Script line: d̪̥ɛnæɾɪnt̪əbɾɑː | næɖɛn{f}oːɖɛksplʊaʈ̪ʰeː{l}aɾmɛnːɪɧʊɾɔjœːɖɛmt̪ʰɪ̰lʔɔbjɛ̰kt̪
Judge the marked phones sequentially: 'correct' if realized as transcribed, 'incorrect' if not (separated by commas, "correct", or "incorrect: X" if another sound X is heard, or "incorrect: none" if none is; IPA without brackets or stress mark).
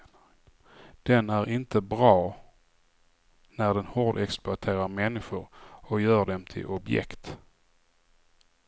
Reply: incorrect: h, incorrect: ɾ